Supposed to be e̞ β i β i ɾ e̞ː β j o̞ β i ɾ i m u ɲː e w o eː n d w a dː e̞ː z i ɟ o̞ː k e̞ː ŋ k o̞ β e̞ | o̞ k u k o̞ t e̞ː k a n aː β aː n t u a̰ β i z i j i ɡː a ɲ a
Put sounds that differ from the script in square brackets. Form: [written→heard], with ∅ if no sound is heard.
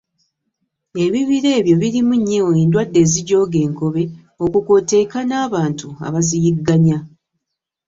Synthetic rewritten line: e̞ β i β i ɾ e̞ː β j o̞ β i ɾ i m u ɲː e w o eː n d w a dː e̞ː z i ɟ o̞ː [k→ɡ] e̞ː ŋ k o̞ β e̞ | o̞ k u k o̞ t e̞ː k a n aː β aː n t u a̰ β [i→a] z i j i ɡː a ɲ a